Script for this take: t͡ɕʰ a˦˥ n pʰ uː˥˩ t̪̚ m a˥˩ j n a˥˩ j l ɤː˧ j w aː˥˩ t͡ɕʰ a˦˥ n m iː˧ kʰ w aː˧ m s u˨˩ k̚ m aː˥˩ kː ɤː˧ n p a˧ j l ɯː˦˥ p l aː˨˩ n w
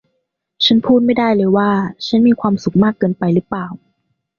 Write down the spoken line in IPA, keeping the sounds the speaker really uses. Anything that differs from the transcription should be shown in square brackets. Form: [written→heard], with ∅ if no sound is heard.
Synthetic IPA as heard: t͡ɕʰ a˦˥ n pʰ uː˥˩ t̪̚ m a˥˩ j [n→d] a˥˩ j l ɤː˧ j w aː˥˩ t͡ɕʰ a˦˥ n m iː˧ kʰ w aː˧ m s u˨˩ k̚ m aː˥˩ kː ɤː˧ n p a˧ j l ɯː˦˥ p l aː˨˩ [n→∅] w